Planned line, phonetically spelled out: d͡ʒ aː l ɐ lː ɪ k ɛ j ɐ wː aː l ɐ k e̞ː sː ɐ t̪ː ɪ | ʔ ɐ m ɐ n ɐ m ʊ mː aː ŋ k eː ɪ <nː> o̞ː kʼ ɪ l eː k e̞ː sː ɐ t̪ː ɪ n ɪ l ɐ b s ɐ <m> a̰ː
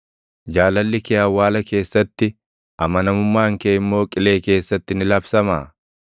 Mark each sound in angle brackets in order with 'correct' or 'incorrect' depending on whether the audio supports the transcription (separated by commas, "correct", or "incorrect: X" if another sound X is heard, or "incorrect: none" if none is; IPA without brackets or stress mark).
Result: incorrect: mː, correct